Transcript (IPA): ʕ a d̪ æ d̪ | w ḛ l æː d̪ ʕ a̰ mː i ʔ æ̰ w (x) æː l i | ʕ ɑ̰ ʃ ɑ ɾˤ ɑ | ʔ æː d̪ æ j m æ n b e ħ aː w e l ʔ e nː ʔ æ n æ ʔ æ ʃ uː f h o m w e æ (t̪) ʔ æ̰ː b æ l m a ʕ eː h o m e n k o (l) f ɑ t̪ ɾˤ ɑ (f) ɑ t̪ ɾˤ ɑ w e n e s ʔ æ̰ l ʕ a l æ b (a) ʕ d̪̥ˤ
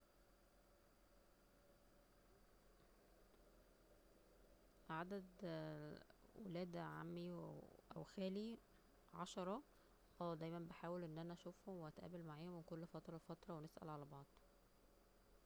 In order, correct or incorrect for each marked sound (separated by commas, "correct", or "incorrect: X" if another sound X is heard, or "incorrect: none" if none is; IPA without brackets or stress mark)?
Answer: correct, correct, incorrect: lː, correct, incorrect: ɑ